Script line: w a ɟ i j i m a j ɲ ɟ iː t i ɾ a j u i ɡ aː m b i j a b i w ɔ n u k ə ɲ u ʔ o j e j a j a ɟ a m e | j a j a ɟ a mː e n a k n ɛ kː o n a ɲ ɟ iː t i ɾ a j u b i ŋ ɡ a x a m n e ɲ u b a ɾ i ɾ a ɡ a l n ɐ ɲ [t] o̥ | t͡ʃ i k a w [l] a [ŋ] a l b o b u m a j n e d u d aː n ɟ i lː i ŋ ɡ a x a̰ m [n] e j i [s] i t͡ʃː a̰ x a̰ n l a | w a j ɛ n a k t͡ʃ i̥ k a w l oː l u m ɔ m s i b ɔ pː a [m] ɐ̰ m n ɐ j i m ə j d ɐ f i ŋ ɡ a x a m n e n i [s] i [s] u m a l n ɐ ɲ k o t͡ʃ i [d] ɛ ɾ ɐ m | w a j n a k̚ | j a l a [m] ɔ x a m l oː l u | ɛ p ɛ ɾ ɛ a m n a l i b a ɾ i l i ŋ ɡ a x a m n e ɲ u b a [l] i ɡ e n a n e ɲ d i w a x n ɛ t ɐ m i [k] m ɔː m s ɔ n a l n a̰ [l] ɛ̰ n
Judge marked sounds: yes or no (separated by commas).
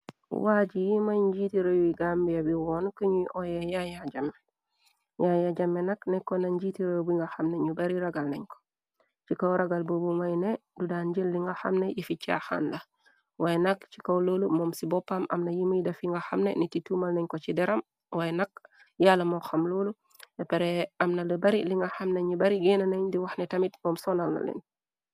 no, no, no, yes, no, yes, no, no, yes, yes, no, no, yes